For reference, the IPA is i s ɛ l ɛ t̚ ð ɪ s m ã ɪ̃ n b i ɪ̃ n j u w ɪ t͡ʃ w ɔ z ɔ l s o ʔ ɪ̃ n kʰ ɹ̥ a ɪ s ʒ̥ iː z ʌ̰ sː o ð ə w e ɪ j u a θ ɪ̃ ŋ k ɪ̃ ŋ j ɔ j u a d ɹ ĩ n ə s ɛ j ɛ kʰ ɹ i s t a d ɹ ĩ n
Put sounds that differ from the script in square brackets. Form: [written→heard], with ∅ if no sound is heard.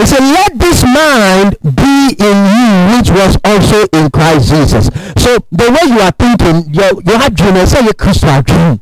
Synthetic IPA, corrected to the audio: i s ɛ l ɛ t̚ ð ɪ s m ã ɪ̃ n b i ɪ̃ n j u w ɪ t͡ʃ w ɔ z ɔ l s o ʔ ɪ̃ n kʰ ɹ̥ a ɪ s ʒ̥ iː z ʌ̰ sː o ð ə w e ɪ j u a θ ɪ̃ ŋ k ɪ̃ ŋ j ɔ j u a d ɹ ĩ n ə s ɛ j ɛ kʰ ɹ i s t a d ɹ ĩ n